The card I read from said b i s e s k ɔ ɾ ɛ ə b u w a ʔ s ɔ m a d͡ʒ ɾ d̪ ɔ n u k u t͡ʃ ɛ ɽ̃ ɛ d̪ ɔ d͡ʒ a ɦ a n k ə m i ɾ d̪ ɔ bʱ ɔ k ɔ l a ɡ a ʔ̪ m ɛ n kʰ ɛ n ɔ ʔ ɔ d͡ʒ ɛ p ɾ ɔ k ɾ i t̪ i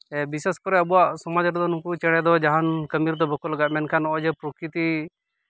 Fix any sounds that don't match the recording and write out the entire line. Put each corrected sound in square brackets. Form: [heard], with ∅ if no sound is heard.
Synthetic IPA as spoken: b i s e s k ɔ ɾ ɛ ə b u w a ʔ s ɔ m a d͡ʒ ɾ d̪ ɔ n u k u t͡ʃ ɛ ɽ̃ ɛ d̪ ɔ d͡ʒ a ɦ a n k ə m i ɾ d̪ ɔ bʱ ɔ k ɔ l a ɡ a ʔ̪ m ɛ n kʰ [a] n ɔ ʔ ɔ d͡ʒ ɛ p ɾ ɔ k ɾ i t̪ i